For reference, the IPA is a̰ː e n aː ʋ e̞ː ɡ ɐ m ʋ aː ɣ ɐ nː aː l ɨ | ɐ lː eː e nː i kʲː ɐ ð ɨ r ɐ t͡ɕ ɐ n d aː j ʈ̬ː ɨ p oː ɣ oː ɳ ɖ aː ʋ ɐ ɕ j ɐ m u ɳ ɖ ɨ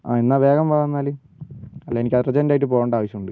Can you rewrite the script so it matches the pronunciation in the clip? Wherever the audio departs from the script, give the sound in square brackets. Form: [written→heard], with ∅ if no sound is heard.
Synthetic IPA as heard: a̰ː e [n→nː] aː ʋ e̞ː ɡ ɐ m ʋ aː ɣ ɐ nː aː l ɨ | ɐ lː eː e [nː→n] i kʲː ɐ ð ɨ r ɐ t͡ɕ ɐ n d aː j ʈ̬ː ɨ p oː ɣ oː ɳ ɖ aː ʋ ɐ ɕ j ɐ m u ɳ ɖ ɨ